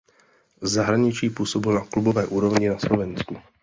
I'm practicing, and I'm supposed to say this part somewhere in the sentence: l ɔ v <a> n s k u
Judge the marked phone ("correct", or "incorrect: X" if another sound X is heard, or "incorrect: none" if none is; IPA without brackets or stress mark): incorrect: ɛ